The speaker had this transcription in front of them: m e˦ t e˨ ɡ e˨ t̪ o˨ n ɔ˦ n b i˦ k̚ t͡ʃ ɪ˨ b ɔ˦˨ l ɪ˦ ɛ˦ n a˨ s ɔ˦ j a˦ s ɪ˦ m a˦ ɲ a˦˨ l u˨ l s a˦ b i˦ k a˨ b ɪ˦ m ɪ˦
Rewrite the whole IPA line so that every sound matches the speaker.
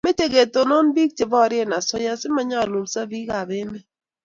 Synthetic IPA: m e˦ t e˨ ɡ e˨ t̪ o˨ n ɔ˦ n b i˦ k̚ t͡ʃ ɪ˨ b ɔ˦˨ ɾ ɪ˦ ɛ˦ n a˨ s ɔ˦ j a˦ s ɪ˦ m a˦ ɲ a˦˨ l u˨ l s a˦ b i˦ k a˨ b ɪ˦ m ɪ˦